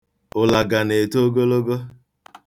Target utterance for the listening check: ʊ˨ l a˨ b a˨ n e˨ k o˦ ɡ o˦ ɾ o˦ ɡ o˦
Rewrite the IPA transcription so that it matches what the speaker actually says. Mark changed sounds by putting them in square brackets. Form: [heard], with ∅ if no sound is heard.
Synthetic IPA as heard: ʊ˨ l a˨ [ɡ] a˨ n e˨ [t] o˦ ɡ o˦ [l] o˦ ɡ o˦

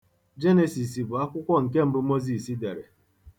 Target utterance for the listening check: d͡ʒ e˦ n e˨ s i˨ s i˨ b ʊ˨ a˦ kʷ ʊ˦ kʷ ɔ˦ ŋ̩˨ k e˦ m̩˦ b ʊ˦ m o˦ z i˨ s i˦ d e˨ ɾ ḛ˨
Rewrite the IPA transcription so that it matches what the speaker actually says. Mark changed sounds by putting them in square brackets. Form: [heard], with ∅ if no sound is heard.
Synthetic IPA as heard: d͡ʒ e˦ n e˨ s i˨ s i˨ b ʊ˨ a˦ kʷ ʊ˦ kʷ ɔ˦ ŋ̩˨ k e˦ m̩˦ b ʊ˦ m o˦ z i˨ s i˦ d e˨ ɾ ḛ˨

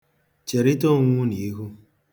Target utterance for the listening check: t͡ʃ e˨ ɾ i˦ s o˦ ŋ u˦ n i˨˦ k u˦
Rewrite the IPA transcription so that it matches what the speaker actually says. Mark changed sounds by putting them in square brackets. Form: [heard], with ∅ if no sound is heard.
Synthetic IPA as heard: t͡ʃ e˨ ɾ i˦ [t] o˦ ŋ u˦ n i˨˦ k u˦

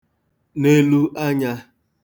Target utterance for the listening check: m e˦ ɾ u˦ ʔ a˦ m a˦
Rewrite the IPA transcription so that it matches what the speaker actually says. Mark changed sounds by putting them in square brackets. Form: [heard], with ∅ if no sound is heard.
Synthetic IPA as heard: [n] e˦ [l] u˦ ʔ a˦ [ɲ] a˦

